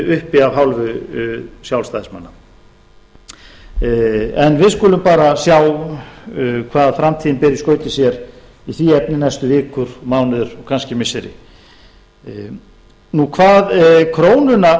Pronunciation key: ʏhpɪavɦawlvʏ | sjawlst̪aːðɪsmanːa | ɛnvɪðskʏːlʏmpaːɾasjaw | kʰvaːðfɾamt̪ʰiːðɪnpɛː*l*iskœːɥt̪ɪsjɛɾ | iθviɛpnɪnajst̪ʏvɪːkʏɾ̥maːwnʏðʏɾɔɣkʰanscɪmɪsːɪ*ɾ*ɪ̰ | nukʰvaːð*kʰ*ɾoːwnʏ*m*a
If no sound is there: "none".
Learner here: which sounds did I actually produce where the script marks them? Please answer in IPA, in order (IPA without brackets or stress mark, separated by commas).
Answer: ɾ, ɾ, kʰ, n